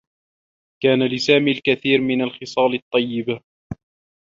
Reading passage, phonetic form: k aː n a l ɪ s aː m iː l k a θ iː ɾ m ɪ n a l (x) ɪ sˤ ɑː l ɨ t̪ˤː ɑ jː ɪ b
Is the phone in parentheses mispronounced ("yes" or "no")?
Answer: no